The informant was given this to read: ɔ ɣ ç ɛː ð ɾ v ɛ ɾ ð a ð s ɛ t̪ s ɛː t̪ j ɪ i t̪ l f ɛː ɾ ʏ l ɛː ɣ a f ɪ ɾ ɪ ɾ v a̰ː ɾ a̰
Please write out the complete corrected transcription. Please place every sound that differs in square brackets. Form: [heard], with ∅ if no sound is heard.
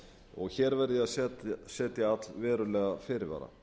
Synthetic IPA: ɔ ɣ ç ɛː [∅] ɾ v ɛ ɾ ð a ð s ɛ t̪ s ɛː t̪ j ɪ [a] t̪ l [v] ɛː ɾ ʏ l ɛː ɣ a f ɪ ɾ ɪ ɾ v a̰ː ɾ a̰